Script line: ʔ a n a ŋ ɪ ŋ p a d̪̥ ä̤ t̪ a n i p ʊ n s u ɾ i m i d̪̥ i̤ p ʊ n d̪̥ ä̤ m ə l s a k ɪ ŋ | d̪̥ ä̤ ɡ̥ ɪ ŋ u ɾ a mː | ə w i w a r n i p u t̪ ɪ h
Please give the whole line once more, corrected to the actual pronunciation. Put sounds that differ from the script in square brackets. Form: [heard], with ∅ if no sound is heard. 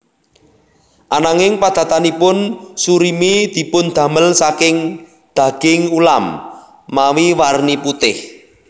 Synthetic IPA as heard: ʔ a n a ŋ ɪ ŋ p a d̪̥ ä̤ t̪ a n i p ʊ n s u ɾ i m i d̪̥ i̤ p ʊ n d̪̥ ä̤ m ə l s a k ɪ ŋ | d̪̥ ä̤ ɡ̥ ɪ ŋ u [l] a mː | [a] w i w a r n i p u t̪ ɪ h

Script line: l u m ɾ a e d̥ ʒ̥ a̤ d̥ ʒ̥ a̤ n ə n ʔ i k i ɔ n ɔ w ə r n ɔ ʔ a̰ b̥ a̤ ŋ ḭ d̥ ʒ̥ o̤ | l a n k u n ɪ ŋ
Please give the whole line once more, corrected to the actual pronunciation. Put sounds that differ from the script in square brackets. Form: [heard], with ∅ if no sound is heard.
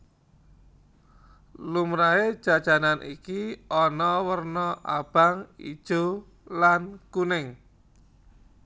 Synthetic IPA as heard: l u m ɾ a e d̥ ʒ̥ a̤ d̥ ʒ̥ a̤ n [a] n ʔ i k i ɔ n ɔ w ə r n ɔ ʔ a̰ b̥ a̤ ŋ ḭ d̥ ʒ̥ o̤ | l a n k u n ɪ ŋ

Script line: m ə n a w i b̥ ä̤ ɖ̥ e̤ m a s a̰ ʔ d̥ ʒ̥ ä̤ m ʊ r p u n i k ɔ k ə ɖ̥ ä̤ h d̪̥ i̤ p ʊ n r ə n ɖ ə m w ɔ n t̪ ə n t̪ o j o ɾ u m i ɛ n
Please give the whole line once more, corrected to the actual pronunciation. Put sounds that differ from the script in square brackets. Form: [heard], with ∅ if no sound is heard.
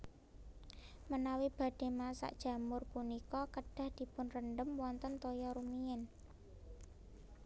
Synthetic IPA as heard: m ə n a w i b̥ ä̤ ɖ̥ e̤ m a s a̰ ʔ d̥ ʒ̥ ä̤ m ʊ r p u n i k ɔ k ə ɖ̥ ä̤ h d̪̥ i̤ p ʊ n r ə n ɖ ə m w ɔ n t̪ ə n t̪ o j [ɔ] ɾ u m i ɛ n

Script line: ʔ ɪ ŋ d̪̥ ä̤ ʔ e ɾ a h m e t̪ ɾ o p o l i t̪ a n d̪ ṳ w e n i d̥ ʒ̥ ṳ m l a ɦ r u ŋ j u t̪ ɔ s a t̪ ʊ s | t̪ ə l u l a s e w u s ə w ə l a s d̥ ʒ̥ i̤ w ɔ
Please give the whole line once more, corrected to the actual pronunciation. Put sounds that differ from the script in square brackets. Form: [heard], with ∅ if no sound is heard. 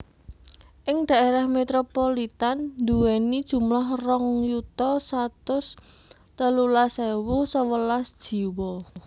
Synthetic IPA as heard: ʔ ɪ ŋ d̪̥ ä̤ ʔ e ɾ a h m e t̪ ɾ o p o l i t̪ a n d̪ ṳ w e n i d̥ ʒ̥ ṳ m l a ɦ r [ɔ] ŋ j u t̪ ɔ s a t̪ ʊ s | t̪ ə l u l a s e w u s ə w ə l a s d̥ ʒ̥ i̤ w ɔ

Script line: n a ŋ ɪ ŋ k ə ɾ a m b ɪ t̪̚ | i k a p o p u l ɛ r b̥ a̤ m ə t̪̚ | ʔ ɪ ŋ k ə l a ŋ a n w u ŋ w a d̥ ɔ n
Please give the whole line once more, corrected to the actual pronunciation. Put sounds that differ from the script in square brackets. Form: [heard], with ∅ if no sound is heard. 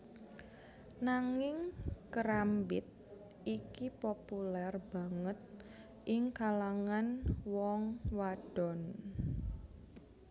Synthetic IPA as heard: n a ŋ ɪ ŋ k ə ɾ a m b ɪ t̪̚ | i k [i] p o p u l ɛ r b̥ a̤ [ŋ] ə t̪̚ | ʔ ɪ ŋ k [a] l a ŋ a n w [ɔ] ŋ w a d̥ ɔ n

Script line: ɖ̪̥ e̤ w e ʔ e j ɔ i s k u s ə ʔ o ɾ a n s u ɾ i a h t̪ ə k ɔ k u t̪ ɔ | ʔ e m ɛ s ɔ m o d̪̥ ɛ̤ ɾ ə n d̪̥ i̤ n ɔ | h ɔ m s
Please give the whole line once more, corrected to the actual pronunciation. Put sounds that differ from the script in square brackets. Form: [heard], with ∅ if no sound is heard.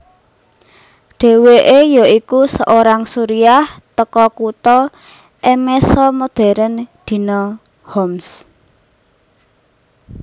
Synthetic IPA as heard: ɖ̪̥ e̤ w e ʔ e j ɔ i [∅] k u s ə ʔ o ɾ a [ŋ] s u ɾ i a h t̪ ə k ɔ k u t̪ ɔ | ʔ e m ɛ s ɔ m o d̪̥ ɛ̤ ɾ ə n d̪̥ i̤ n ɔ | h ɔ m s

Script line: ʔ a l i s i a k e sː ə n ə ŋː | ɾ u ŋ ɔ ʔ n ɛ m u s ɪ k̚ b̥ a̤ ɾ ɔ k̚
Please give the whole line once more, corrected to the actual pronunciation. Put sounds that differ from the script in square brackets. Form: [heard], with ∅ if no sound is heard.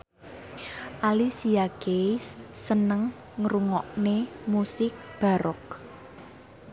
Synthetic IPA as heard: ʔ a l i s i a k e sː ə n ə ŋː | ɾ u ŋ ɔ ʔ n [e] m u s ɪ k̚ b̥ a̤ ɾ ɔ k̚

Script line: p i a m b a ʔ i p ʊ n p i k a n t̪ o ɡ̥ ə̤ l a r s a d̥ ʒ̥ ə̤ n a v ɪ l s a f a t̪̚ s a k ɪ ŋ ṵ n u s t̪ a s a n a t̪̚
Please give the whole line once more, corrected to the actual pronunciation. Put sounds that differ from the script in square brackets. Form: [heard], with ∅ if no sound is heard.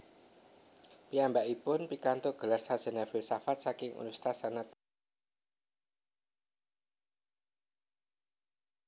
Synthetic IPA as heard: p i a m b a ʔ i p ʊ n p i k a n t̪ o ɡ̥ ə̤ l a r s a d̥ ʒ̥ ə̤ n a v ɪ l s a f a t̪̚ s a k ɪ ŋ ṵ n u s t̪ a s a n a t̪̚

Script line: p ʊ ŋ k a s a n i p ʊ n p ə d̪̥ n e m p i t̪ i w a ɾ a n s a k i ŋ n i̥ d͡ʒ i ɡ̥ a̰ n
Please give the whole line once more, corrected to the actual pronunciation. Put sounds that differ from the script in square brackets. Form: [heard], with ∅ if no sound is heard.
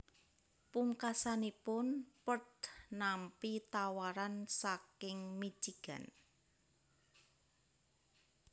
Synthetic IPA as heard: p [u] ŋ k a s a n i p ʊ n p ə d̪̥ n [a] m p i t̪ [a] w a ɾ a n s a k [ɪ] ŋ [m] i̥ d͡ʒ i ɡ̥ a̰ n

